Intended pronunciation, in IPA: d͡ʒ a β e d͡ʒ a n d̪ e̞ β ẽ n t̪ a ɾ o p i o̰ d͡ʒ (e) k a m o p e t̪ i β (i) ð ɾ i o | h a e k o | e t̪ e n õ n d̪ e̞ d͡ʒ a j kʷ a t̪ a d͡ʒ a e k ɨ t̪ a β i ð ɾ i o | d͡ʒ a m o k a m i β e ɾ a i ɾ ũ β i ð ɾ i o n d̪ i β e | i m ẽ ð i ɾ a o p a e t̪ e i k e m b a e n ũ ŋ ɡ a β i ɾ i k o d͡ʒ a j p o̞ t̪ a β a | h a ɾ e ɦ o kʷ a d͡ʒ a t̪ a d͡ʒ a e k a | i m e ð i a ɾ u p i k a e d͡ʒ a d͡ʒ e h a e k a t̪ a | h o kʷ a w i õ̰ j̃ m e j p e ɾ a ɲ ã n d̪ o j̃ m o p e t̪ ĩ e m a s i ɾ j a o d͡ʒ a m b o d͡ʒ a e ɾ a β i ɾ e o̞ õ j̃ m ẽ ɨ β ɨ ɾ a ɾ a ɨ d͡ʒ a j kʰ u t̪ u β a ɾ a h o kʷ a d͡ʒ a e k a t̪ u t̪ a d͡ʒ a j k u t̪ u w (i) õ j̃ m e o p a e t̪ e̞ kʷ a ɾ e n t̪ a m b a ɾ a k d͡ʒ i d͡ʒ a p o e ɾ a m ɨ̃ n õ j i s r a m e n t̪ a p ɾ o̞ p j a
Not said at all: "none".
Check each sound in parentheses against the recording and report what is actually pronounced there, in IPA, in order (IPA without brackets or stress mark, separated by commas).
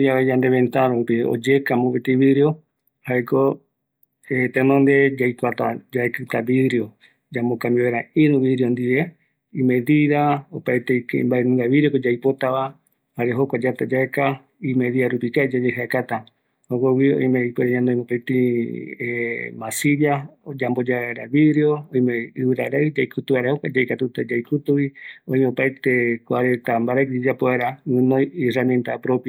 e, i, i